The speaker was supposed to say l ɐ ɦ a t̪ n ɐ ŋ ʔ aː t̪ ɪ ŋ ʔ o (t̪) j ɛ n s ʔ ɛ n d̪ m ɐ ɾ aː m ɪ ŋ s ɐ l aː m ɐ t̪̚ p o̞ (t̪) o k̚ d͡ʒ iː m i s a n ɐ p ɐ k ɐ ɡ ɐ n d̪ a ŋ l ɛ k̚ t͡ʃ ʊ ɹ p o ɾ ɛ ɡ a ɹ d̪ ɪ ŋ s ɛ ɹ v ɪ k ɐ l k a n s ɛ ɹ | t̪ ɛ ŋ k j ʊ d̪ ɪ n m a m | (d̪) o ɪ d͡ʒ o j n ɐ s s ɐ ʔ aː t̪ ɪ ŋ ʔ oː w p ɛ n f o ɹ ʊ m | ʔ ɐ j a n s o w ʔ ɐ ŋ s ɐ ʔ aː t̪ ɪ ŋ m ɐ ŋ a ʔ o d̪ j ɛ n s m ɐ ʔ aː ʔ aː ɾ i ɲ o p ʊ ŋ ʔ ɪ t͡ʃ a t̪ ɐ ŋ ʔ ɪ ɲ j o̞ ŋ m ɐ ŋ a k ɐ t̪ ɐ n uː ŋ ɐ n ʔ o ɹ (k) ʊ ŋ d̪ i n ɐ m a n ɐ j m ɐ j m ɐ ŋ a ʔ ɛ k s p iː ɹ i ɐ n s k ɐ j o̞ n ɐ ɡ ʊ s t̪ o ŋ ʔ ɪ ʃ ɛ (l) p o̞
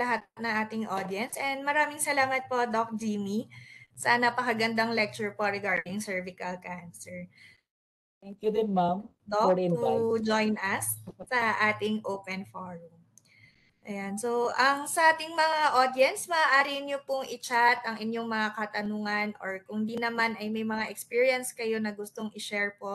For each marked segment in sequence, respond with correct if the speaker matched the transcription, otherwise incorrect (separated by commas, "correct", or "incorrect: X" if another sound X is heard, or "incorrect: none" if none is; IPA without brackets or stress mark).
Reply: incorrect: d̪, incorrect: d̪, correct, correct, incorrect: ɹ